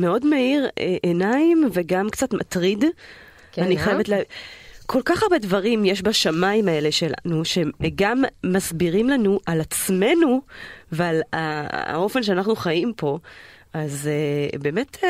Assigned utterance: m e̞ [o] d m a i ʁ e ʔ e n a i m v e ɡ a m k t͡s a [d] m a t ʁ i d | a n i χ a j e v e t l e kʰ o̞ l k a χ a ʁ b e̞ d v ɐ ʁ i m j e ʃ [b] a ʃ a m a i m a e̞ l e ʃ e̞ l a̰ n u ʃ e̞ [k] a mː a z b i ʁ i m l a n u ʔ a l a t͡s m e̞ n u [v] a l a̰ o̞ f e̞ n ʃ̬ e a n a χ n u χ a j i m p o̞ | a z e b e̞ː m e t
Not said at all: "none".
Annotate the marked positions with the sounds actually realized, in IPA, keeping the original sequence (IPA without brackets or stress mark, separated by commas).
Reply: o, t, b, ɡ, v